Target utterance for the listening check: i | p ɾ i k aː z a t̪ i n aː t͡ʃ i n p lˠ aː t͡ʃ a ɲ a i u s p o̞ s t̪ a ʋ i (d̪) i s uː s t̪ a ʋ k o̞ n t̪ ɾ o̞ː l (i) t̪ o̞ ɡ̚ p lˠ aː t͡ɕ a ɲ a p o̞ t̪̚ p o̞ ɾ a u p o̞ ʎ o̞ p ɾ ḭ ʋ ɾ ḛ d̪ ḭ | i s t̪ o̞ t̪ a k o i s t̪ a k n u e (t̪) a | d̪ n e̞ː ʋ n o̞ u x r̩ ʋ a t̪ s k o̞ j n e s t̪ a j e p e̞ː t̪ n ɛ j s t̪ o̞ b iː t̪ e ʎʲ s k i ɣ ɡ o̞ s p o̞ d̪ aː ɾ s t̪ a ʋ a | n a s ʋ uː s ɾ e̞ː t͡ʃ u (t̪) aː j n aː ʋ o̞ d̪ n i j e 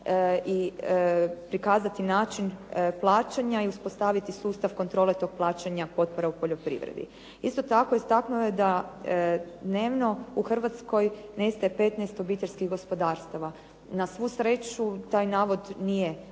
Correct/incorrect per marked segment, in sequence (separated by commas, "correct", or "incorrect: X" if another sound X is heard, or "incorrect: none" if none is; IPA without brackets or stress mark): incorrect: t̪, incorrect: e, incorrect: d̪, correct